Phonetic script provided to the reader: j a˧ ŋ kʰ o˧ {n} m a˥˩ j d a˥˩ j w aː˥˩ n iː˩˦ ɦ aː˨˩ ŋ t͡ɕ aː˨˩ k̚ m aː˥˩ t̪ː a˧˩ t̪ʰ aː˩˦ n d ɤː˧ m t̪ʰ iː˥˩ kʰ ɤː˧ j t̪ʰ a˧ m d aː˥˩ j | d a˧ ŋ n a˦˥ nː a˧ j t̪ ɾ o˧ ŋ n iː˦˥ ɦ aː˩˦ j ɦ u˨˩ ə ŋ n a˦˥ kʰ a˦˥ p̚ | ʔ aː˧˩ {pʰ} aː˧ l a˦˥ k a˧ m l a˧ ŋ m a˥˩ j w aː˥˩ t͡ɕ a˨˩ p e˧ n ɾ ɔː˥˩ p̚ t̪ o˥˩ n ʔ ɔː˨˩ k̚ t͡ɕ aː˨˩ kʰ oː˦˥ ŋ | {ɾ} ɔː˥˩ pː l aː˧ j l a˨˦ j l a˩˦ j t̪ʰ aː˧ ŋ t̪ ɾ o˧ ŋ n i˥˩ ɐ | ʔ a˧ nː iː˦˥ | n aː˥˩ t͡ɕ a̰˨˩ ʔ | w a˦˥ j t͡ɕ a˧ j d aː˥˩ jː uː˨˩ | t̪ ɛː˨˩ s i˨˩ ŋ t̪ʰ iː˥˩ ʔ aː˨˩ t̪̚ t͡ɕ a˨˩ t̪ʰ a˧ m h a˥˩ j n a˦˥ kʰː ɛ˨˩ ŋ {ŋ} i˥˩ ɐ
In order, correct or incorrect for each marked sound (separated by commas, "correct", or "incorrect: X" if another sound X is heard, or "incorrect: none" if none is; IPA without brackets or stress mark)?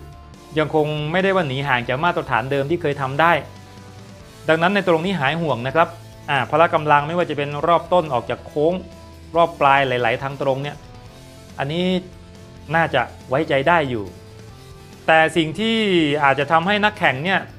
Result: incorrect: ŋ, correct, correct, incorrect: n